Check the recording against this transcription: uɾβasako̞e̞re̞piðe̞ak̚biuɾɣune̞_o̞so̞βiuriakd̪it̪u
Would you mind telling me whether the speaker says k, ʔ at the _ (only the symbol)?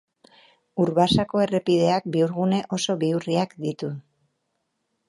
ʔ